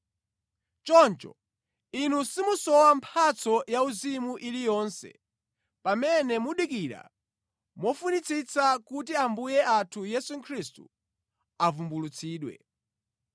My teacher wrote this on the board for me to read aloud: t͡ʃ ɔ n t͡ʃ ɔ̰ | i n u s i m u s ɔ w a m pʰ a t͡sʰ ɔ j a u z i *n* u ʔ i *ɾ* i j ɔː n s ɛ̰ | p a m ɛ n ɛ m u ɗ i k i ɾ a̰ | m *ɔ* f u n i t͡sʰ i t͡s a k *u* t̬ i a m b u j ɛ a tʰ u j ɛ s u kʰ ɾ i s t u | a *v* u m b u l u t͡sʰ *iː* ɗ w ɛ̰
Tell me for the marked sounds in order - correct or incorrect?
incorrect: m, incorrect: l, correct, correct, correct, correct

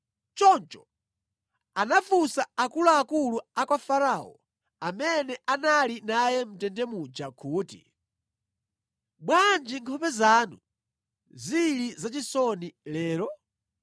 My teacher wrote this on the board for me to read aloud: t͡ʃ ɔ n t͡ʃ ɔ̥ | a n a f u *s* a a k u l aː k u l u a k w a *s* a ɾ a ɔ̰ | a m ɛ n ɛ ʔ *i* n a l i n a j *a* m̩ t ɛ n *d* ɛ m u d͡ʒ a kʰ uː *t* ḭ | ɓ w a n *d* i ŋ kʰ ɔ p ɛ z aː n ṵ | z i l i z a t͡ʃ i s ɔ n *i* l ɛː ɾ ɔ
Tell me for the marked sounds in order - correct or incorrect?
correct, incorrect: f, incorrect: a, incorrect: ɛ, correct, correct, incorrect: d͡ʒ, correct

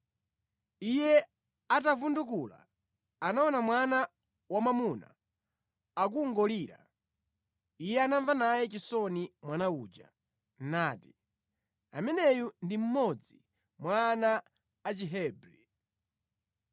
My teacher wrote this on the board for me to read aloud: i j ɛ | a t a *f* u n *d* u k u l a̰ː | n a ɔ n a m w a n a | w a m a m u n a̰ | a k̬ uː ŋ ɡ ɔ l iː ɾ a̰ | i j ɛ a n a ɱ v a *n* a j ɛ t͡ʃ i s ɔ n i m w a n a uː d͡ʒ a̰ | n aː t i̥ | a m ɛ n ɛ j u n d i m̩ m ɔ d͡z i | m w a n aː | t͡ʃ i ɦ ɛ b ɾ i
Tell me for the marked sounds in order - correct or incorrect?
incorrect: v, correct, correct

